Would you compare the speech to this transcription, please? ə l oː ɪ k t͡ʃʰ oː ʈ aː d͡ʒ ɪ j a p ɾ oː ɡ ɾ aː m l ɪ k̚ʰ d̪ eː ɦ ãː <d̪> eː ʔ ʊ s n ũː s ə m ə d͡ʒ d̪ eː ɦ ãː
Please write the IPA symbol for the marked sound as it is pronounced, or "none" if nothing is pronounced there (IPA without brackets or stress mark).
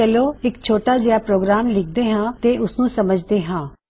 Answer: t̪